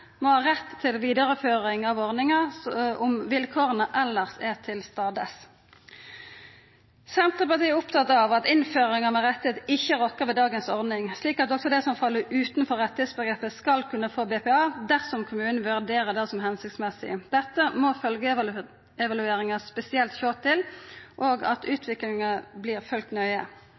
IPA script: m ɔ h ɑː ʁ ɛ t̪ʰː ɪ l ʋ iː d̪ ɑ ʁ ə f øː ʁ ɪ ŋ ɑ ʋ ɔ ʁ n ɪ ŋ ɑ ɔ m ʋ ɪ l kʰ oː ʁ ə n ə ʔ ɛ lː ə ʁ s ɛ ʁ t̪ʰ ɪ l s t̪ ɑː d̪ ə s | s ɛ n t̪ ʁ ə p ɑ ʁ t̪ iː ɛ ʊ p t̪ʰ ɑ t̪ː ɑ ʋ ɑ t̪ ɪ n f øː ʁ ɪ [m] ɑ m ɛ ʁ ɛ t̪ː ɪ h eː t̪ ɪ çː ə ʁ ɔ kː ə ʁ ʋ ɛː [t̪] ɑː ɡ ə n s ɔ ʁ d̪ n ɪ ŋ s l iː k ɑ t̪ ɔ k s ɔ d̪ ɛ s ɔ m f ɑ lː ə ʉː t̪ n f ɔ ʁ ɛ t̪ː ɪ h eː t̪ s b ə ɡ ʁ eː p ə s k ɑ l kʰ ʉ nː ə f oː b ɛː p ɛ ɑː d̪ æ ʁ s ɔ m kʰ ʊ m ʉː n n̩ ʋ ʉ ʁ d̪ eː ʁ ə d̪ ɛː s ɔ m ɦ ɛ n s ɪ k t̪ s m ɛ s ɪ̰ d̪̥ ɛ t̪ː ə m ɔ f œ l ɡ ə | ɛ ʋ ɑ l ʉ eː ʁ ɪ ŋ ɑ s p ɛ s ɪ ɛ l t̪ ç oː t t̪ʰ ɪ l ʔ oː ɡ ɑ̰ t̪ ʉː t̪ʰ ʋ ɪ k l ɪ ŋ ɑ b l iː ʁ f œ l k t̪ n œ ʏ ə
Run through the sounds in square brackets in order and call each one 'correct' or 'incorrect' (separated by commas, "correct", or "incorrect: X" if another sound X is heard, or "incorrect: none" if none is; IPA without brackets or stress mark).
incorrect: ŋ, incorrect: d̪